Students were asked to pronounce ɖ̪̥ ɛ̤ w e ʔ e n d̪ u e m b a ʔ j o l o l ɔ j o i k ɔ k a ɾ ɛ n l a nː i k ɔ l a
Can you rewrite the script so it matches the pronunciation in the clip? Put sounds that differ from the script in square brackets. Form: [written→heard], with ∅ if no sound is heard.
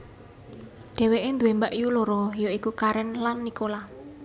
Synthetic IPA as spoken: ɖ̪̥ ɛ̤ w e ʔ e n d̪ u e m b a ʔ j [o→u] l o [l→ɾ] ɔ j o i k [ɔ→u] k a ɾ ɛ n l a nː i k [ɔ→o] l a